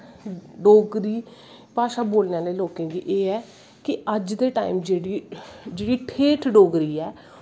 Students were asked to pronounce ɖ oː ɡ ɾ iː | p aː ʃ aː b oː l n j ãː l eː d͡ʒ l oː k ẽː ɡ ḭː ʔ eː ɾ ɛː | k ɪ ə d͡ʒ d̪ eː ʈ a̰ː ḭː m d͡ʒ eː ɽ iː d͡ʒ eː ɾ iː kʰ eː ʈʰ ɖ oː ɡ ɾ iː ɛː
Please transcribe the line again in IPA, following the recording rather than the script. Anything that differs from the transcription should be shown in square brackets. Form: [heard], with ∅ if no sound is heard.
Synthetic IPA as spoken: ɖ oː ɡ ɾ iː | p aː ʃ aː b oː l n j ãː l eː [∅] l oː k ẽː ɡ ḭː ʔ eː [∅] ɛː | k ɪ ə d͡ʒ d̪ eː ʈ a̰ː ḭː m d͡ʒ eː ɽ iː d͡ʒ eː [ɽ] iː [ʈʰ] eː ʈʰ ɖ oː ɡ ɾ iː ɛː